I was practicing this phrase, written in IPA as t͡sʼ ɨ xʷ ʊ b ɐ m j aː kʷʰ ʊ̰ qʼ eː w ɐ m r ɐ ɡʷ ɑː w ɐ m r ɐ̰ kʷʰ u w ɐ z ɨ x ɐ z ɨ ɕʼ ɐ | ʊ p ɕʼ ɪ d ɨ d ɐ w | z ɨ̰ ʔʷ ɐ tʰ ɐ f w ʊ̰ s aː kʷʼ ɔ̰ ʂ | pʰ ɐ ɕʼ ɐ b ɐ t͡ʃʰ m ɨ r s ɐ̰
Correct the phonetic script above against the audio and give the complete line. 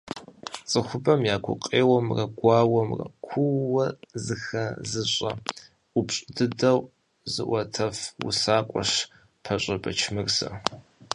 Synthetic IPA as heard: t͡sʼ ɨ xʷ ʊ b ɐ m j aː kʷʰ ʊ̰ qʼ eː w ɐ m r ɐ ɡʷ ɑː w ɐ m r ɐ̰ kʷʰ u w ɐ z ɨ x ɐ z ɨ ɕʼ ɐ | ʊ p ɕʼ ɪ d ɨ d ɐ w | z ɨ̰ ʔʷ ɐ tʰ ɐ f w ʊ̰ s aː kʷʼ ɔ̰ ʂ | pʰ ɐ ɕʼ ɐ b ɐ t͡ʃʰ m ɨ r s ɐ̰